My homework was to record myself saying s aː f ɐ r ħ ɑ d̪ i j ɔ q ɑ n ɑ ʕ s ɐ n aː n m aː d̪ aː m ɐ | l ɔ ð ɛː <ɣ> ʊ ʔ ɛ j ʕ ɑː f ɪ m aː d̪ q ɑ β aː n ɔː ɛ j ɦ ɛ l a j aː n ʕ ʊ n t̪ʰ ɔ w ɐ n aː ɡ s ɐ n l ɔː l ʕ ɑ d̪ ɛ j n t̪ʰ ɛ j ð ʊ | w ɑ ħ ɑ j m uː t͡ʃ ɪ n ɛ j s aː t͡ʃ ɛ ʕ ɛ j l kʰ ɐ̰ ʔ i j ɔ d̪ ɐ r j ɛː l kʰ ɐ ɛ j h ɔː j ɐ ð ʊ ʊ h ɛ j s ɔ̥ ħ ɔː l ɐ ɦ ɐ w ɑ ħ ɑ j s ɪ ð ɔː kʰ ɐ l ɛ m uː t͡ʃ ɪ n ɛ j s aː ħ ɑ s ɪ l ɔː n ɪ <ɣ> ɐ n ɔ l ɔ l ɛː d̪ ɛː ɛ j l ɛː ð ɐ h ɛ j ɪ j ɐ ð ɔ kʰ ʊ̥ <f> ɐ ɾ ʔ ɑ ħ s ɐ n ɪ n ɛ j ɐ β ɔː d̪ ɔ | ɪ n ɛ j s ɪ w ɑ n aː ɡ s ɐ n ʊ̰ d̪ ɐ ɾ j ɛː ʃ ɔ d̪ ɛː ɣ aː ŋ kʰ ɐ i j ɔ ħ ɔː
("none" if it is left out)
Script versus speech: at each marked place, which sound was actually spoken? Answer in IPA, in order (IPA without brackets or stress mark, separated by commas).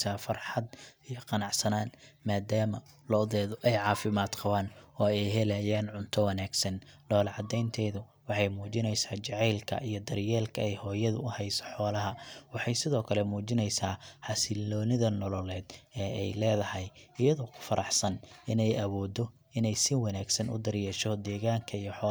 ð, ð, f